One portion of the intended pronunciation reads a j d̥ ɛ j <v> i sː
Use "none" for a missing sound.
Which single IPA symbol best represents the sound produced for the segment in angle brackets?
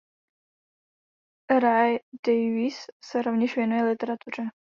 v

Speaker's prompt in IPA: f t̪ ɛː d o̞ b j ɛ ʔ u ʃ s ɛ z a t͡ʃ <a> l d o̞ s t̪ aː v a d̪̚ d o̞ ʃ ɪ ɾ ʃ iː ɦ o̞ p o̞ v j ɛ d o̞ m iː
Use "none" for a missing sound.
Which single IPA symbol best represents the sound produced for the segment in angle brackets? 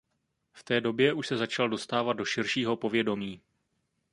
a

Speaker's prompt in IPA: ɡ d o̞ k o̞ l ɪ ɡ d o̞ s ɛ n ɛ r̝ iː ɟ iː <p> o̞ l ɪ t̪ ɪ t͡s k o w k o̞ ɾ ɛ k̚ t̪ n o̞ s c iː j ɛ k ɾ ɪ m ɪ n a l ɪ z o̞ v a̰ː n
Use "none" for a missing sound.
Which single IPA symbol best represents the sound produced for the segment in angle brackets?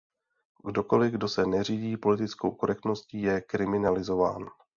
p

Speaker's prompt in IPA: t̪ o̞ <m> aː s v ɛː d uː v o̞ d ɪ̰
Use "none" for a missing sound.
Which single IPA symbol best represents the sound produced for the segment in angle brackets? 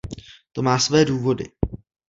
m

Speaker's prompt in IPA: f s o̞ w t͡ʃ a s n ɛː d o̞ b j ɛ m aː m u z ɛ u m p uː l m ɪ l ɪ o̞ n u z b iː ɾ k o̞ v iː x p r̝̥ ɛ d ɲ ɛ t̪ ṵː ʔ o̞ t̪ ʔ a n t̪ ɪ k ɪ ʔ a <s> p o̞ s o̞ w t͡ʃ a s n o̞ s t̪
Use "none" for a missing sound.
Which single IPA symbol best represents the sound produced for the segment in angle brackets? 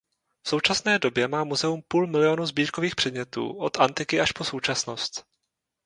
ʃ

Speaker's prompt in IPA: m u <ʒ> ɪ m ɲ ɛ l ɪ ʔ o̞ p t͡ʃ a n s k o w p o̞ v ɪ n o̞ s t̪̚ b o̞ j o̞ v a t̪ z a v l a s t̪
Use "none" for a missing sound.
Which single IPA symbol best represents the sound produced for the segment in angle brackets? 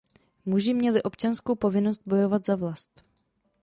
ʒ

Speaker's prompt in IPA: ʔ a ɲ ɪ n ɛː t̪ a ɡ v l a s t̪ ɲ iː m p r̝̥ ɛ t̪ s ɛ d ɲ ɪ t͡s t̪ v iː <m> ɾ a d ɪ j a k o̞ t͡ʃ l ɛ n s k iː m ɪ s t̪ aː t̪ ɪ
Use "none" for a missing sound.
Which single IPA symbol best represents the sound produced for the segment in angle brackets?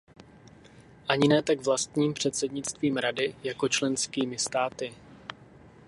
m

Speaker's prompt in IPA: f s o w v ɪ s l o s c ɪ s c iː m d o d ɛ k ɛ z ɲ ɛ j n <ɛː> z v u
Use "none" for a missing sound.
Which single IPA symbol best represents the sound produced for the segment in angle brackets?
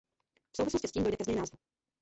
aː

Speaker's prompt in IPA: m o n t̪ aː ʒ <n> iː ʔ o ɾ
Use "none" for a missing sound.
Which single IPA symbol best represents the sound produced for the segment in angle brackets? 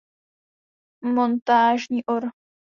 ɲ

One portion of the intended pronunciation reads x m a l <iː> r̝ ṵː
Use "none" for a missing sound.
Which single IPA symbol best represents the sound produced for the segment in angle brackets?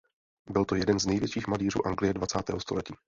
iː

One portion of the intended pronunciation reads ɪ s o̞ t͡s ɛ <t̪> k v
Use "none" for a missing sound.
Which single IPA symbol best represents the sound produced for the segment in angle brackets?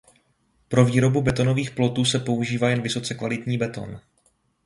none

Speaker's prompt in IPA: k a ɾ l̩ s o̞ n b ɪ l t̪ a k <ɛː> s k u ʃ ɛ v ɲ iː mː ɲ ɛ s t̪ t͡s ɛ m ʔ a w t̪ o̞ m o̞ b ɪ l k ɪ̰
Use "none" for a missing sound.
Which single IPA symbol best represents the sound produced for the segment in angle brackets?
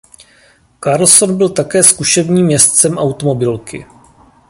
ɛː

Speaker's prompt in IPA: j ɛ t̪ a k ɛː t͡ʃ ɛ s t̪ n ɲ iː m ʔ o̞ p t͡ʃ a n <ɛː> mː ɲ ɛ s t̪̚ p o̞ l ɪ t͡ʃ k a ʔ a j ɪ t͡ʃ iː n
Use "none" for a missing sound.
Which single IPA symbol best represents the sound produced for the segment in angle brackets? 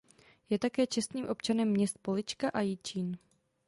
ɛ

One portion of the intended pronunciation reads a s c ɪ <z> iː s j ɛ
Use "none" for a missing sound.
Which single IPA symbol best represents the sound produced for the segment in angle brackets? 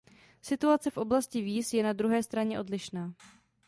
v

